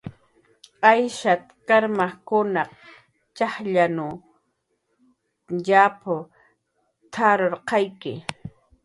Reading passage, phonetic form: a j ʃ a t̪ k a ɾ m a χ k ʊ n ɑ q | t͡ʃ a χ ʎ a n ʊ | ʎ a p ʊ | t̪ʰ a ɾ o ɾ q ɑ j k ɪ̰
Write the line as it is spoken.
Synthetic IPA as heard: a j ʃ a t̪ k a ɾ m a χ k ʊ n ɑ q | t͡ʃ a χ ʎ a n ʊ | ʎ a p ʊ | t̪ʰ a ɾ o ɾ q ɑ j k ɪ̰